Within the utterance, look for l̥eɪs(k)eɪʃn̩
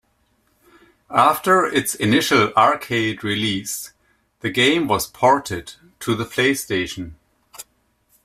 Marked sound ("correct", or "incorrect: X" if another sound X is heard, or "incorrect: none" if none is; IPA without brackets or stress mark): incorrect: t